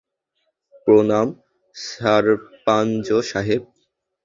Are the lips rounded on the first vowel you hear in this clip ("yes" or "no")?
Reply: yes